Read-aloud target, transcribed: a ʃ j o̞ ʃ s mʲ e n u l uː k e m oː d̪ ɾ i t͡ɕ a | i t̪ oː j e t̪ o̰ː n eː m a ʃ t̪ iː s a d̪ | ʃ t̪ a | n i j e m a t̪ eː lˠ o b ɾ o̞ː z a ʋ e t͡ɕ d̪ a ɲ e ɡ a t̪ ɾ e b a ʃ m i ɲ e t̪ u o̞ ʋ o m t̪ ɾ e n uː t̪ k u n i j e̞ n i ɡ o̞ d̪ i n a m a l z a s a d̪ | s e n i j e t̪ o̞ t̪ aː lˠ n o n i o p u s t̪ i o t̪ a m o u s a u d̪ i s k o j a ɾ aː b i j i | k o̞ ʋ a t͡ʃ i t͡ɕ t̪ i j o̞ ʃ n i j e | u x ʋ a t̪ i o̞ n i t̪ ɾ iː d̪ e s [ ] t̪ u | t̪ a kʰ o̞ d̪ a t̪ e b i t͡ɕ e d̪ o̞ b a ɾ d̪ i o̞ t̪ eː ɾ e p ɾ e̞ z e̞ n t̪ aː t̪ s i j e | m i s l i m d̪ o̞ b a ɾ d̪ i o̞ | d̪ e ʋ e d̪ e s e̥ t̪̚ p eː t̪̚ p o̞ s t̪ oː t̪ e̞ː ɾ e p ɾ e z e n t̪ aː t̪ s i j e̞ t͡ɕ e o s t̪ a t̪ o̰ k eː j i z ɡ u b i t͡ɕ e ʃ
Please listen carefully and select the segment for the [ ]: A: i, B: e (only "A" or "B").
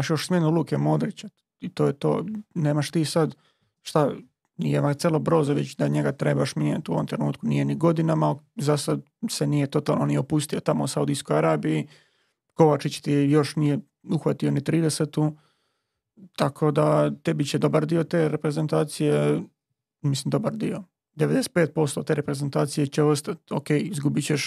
B